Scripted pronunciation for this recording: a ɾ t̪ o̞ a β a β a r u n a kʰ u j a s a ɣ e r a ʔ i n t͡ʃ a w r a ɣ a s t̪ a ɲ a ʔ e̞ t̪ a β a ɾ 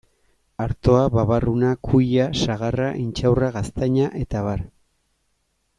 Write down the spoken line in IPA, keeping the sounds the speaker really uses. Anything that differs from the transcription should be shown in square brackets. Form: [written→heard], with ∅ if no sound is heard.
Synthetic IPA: a ɾ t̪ o̞ a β a β a r u n a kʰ u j a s a ɣ [e→a] r a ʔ i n t͡ʃ a w r a ɣ a s t̪ a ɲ a ʔ e̞ t̪ a β a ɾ